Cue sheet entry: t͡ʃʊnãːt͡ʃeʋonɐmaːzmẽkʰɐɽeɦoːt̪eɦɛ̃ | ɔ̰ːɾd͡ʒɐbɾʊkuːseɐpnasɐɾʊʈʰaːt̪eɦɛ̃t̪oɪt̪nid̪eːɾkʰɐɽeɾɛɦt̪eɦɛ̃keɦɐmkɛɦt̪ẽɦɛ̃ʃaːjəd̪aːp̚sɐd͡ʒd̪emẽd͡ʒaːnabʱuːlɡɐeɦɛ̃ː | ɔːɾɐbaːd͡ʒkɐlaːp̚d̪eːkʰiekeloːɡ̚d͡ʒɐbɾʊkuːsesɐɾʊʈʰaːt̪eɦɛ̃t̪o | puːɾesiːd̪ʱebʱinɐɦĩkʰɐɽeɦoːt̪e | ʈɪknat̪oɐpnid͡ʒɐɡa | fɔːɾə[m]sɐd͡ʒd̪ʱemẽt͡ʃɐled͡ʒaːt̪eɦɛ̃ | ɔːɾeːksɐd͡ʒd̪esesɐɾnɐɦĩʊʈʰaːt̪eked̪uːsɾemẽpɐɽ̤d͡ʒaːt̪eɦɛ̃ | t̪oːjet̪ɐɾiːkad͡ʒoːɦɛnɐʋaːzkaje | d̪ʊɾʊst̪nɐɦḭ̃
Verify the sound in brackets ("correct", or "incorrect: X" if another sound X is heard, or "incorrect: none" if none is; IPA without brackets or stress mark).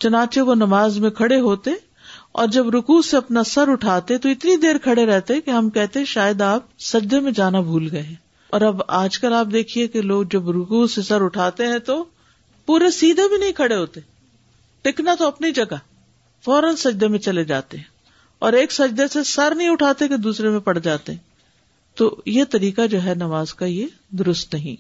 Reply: incorrect: n